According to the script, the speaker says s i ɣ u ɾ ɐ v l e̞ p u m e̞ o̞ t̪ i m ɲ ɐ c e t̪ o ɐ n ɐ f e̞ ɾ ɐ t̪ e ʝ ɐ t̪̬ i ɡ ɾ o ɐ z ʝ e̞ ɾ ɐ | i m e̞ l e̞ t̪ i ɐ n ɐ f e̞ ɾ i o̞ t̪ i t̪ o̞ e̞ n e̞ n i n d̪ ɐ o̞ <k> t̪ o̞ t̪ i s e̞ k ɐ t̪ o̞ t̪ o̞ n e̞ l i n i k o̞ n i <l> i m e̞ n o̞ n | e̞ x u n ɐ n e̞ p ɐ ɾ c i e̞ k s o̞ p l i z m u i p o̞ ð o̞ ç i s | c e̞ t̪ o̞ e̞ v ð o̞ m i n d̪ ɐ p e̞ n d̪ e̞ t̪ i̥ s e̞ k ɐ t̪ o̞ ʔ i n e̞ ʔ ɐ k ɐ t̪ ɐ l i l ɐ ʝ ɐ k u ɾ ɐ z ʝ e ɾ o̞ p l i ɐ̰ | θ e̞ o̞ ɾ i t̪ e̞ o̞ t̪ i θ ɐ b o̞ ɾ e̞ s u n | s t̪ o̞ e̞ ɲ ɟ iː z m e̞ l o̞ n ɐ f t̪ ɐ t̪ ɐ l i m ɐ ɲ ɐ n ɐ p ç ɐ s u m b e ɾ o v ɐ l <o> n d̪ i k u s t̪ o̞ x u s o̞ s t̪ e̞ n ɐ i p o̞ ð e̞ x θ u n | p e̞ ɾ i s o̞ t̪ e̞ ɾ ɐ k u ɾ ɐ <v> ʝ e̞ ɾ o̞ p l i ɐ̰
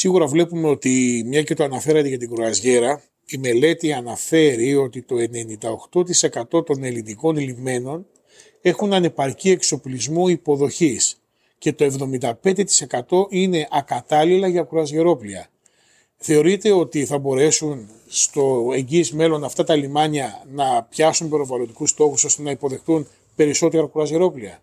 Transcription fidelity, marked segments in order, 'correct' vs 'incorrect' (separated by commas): incorrect, correct, correct, incorrect